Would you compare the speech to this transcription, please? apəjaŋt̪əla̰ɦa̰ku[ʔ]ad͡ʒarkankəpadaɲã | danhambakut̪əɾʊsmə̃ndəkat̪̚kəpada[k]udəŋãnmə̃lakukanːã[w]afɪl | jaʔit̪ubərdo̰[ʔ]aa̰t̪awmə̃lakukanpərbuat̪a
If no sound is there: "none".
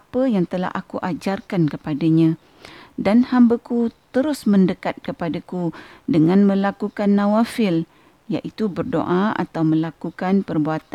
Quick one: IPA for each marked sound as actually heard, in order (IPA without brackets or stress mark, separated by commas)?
ʔ, k, w, ʔ